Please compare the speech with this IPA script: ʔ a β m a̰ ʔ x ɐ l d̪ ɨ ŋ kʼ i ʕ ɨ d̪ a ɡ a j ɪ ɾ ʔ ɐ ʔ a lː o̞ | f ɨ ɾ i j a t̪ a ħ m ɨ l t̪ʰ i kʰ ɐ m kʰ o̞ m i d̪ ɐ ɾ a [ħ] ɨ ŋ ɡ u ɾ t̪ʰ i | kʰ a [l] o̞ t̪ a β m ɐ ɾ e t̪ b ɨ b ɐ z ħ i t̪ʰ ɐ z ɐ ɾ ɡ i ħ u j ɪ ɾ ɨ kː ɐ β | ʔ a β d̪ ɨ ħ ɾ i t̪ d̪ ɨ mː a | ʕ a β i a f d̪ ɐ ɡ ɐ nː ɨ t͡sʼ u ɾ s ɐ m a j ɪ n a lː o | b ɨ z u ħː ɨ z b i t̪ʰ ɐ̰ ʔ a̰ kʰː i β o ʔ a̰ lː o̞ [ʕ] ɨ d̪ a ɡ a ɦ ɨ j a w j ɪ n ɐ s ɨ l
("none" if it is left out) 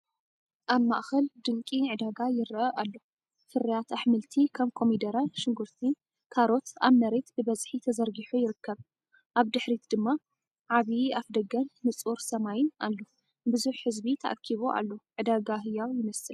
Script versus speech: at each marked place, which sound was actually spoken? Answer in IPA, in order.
ʃ, ɾ, ʕ

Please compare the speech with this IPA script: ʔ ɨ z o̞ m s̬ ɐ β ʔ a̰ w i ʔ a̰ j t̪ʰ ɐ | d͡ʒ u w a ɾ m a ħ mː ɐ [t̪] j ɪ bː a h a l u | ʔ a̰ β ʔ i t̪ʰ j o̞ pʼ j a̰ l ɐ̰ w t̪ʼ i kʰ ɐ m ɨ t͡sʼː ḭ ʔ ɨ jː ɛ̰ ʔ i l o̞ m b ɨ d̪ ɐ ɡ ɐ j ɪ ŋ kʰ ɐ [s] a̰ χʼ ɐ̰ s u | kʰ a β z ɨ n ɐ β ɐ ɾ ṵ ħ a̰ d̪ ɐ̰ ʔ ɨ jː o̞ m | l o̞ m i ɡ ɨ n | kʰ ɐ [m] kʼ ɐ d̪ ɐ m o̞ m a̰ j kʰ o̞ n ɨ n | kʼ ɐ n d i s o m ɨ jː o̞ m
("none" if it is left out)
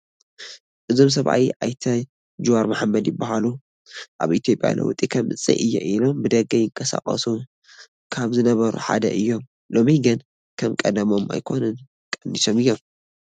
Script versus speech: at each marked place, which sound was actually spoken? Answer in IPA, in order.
d̪, s, m

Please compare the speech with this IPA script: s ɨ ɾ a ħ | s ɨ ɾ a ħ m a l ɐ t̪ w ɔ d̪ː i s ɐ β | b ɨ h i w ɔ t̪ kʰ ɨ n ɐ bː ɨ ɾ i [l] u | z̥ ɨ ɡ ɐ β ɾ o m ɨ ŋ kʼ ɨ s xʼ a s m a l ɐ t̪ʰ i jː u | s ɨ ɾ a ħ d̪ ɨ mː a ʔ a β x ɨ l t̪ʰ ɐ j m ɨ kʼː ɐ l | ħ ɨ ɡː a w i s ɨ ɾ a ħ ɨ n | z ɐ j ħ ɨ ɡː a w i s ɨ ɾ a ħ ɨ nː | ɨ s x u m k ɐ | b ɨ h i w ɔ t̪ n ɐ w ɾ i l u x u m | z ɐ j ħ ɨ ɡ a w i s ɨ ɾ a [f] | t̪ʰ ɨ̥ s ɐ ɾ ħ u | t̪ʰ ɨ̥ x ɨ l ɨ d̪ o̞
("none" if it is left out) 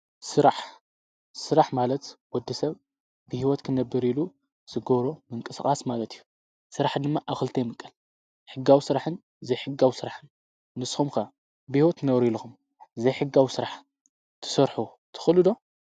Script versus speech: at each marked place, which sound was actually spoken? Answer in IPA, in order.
l, ħ

